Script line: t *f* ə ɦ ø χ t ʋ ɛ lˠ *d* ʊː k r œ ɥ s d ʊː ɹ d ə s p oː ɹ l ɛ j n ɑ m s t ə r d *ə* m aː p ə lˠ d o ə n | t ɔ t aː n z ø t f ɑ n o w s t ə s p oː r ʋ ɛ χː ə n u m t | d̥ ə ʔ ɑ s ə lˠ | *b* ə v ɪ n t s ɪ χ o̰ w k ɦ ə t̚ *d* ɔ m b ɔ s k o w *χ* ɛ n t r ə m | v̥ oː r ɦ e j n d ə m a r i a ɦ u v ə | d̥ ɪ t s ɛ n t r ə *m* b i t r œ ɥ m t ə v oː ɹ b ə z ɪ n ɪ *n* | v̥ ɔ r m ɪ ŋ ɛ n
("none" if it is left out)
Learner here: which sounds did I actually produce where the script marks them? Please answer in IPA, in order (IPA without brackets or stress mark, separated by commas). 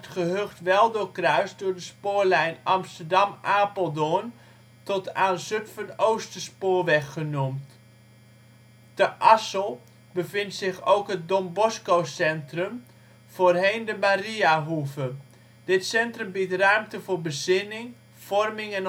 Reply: χ, d, ɑ, b, d, s, m, ŋ